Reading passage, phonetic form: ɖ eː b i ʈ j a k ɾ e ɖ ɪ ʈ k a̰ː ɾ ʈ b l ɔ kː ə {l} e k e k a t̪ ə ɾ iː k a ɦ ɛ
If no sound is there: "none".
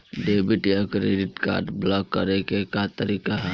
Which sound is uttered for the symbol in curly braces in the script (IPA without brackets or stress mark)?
ɾ